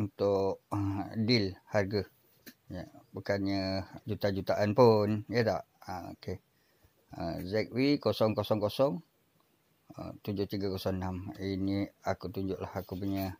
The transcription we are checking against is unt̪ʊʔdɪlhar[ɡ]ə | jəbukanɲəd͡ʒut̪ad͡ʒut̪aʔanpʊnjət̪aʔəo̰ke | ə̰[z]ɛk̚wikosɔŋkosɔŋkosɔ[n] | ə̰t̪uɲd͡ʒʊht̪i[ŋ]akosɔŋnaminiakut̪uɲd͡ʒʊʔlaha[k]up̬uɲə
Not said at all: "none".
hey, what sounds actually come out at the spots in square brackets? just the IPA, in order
ɡ, z, ŋ, ɡ, k

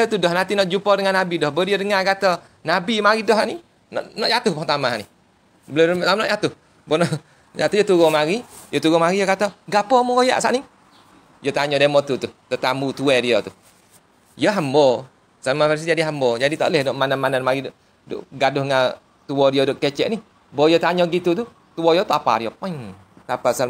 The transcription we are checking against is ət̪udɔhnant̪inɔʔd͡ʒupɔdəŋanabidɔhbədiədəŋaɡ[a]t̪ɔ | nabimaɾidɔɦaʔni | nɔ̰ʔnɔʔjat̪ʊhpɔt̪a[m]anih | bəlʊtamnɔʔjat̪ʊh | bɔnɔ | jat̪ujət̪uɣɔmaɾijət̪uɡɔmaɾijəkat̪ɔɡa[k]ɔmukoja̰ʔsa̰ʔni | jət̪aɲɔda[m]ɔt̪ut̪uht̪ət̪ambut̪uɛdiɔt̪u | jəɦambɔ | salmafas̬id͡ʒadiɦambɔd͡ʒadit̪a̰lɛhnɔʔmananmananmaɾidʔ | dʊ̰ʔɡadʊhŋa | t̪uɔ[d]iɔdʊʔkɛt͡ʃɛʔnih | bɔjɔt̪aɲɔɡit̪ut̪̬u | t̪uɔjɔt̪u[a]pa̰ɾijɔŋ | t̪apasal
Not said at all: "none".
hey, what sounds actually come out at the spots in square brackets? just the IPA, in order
a, m, p, m, d, a

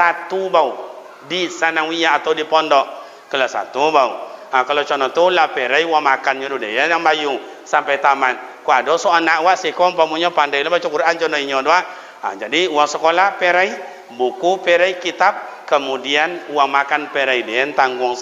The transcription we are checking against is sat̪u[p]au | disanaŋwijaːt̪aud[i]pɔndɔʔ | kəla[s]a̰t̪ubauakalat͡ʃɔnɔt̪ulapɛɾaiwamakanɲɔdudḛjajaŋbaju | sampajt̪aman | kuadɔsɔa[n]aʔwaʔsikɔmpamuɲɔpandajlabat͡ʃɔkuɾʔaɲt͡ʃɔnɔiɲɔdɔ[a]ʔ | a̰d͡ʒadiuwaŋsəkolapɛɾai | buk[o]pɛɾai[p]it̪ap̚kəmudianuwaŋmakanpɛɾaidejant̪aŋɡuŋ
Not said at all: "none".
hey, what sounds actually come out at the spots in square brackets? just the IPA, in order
b, i, s, n, a, u, k

